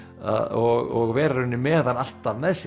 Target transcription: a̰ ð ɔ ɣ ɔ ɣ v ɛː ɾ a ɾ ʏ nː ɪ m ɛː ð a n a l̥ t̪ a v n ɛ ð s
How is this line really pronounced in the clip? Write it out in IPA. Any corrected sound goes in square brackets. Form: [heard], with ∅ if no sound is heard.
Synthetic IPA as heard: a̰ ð ɔ ɣ ɔ ɣ v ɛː ɾ a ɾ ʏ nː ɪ m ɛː ð a n a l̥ t̪ a v n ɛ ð s